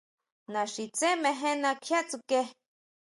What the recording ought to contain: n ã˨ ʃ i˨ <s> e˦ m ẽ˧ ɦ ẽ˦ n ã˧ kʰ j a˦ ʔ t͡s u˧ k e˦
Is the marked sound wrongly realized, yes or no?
yes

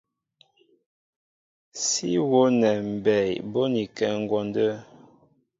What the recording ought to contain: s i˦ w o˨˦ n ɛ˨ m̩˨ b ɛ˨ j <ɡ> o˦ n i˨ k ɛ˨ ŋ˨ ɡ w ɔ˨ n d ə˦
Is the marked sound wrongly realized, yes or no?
yes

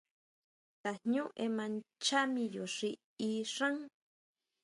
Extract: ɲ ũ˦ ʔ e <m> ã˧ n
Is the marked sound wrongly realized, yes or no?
no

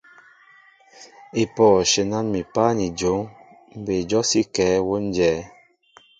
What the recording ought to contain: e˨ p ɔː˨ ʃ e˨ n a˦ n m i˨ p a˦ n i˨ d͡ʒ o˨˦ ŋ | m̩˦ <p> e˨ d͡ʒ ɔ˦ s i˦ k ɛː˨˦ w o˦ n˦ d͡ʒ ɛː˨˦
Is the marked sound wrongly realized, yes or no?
yes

